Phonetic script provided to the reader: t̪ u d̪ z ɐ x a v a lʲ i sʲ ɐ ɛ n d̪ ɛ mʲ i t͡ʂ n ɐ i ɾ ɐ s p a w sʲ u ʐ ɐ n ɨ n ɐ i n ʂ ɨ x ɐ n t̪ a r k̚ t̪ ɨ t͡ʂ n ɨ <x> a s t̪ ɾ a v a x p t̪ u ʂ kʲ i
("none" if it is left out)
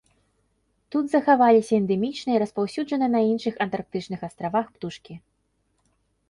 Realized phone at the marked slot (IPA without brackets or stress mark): x